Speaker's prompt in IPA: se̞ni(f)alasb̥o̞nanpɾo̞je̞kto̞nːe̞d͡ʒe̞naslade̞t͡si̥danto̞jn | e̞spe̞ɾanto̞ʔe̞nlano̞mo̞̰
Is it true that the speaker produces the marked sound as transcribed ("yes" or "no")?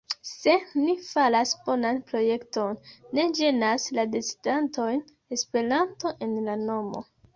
yes